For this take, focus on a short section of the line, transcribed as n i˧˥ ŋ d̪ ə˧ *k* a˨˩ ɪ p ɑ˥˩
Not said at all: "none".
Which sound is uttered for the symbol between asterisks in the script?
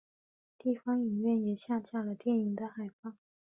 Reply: x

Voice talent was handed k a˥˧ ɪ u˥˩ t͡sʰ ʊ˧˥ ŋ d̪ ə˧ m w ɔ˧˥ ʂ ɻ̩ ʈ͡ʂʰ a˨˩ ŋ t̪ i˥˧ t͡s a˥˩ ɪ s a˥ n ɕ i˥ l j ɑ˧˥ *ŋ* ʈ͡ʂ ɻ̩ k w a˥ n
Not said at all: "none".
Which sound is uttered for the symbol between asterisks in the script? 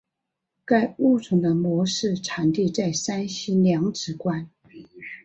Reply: ŋ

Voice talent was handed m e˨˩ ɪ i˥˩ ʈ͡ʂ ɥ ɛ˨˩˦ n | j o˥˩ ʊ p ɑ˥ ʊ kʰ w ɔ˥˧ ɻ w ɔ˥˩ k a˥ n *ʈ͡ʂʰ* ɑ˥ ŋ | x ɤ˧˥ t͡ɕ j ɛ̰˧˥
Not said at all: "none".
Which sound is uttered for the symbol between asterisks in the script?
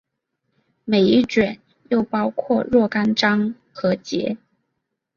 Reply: ʈ͡ʂ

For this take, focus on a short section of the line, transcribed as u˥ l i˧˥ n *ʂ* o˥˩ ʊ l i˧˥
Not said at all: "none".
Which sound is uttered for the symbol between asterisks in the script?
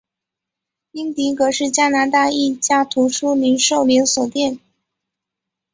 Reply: ʂ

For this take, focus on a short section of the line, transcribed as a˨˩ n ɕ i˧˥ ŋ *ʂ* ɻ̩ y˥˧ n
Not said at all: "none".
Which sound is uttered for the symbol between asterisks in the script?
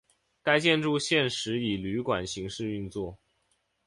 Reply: ʂ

